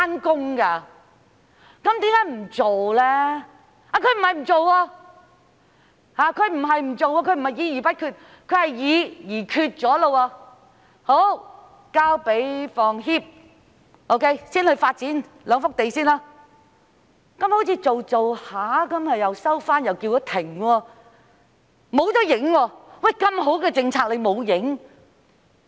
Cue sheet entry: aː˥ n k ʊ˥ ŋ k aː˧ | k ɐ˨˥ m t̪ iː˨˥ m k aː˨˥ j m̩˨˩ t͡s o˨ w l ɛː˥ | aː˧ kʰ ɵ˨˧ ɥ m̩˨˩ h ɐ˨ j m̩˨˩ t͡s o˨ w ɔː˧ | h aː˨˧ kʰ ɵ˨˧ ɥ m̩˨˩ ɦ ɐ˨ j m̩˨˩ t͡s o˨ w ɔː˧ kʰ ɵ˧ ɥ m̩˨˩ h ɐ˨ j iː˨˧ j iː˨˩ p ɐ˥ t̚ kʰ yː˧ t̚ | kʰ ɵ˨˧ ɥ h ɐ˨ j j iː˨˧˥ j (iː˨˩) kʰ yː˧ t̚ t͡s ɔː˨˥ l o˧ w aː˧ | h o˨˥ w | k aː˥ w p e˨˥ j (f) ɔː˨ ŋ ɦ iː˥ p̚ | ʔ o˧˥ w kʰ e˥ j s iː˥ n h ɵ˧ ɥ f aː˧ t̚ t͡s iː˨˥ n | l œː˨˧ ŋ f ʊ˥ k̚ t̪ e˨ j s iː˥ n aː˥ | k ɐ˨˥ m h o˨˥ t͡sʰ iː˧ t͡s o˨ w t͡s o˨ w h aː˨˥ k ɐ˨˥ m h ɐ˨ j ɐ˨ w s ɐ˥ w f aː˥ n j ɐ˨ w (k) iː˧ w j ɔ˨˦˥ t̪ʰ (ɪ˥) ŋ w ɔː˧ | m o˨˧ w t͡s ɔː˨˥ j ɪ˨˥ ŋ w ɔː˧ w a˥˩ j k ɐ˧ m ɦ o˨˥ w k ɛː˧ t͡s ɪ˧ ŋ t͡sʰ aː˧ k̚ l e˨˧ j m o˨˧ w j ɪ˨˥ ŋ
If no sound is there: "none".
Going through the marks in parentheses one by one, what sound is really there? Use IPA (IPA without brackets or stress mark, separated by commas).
iː˨˩, f, k, ɪ˨˩